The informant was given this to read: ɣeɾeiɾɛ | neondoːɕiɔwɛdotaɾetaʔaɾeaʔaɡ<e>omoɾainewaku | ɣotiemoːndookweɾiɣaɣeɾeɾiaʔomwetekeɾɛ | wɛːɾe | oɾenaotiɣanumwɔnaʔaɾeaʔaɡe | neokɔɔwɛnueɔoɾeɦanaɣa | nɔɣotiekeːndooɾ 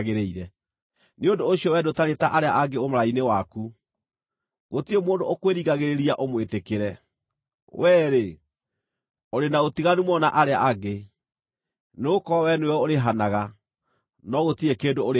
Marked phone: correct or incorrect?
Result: correct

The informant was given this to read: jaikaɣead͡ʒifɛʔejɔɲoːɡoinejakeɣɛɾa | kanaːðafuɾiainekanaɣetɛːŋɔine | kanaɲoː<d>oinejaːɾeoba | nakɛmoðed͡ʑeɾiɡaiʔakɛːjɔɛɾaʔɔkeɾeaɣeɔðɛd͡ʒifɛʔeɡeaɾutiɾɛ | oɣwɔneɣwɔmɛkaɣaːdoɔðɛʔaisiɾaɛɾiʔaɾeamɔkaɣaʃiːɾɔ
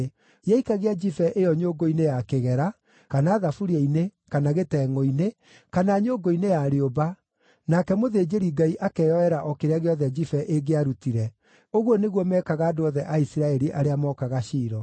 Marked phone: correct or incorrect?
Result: incorrect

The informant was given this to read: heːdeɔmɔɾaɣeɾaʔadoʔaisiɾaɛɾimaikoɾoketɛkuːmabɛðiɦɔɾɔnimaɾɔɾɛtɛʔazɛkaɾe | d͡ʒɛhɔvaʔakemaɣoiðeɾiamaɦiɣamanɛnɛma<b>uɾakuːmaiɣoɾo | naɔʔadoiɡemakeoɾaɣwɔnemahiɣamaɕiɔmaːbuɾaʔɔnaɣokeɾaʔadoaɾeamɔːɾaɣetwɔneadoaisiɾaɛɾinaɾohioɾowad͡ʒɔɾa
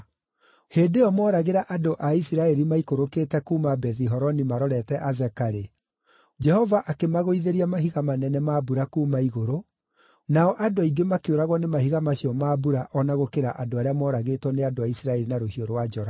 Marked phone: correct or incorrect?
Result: correct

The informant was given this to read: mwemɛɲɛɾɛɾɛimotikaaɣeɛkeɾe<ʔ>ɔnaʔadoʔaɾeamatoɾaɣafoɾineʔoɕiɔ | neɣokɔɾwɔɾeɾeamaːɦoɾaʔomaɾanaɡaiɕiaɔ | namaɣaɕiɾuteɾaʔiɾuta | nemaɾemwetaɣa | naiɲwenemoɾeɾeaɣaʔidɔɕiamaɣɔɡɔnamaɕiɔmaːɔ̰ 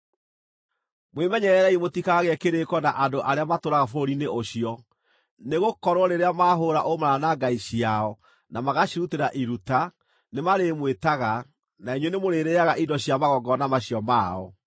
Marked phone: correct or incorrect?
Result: incorrect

